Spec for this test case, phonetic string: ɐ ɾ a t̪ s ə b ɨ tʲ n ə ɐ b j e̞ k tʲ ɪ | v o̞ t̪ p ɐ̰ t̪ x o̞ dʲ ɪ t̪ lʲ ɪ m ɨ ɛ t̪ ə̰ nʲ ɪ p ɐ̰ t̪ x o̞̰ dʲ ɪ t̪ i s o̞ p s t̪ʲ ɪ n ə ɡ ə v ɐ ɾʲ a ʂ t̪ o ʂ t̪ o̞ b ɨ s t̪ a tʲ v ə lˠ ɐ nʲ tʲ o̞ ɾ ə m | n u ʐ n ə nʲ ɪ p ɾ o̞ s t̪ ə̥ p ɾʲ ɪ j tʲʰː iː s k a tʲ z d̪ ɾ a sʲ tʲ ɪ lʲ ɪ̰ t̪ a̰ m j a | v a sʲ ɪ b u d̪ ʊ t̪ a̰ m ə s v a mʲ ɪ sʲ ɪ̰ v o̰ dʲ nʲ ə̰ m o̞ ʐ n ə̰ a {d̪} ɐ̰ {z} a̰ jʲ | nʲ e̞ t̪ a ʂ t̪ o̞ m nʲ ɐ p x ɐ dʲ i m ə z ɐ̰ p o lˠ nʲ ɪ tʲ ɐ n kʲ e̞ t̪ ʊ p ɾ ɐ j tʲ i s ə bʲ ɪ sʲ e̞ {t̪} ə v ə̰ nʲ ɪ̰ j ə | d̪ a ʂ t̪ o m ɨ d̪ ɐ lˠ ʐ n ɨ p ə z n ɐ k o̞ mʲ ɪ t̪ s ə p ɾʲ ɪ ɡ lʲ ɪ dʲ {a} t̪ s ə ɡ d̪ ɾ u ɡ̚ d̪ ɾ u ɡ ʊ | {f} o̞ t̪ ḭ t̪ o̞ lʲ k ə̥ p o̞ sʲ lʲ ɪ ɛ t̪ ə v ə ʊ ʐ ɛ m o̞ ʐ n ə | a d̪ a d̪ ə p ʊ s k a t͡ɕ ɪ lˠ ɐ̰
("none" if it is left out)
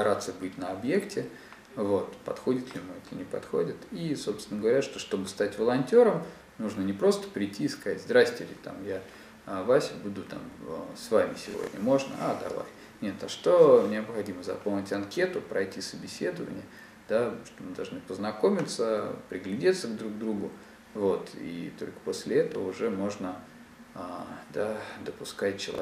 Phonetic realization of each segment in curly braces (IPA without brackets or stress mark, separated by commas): d̪, v, d̪, e, v